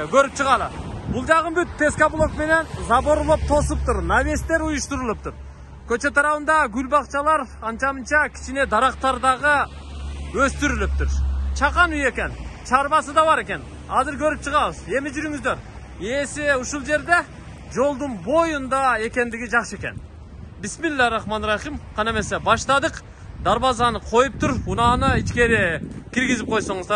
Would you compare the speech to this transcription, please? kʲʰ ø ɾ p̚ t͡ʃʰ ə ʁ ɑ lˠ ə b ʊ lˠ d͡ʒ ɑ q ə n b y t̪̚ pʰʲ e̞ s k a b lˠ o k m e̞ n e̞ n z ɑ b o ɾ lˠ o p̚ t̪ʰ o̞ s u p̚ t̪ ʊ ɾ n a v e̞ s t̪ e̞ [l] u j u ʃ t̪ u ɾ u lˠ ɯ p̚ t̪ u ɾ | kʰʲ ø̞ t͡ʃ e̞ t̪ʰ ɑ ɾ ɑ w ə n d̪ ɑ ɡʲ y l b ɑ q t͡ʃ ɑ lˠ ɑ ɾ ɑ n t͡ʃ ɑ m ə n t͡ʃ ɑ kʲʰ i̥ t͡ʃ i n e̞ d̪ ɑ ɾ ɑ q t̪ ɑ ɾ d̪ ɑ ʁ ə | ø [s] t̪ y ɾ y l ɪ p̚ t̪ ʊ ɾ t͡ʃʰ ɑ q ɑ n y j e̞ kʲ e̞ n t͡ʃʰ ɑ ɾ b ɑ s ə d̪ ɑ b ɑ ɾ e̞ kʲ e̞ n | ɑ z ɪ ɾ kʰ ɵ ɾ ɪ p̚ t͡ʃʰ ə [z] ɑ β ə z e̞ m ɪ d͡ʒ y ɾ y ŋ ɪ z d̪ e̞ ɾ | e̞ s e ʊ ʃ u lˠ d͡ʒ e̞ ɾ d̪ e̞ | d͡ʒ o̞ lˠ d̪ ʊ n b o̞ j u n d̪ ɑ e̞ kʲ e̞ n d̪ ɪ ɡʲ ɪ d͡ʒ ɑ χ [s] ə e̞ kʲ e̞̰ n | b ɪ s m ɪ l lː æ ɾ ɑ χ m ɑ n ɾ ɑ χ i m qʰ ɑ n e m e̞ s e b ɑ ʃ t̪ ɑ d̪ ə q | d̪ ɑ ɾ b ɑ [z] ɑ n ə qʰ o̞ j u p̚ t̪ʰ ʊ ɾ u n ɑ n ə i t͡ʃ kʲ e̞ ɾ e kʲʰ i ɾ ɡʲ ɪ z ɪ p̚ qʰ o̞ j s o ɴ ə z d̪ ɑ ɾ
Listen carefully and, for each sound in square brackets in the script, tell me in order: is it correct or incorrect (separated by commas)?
incorrect, correct, incorrect, incorrect, correct